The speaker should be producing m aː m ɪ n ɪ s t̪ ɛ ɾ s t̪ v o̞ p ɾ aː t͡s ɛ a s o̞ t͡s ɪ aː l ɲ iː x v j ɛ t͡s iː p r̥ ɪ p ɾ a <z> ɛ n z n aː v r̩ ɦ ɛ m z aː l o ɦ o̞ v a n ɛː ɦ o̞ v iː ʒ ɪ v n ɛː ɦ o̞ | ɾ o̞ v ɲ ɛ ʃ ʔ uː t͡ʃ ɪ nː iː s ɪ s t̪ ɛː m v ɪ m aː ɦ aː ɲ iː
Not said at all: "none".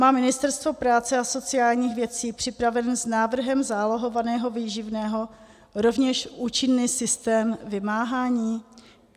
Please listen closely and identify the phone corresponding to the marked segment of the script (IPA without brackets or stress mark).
v